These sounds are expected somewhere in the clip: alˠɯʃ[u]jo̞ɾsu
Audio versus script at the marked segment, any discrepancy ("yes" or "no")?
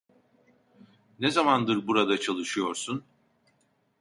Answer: yes